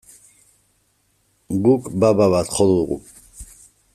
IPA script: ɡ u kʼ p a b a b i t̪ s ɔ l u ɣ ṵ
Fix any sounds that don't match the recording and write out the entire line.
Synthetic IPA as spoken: ɡ u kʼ b a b a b a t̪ χ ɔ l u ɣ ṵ